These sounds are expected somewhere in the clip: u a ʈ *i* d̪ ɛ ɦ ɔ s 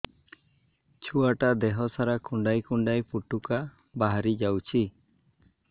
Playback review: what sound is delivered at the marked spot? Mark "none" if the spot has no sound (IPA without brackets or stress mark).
a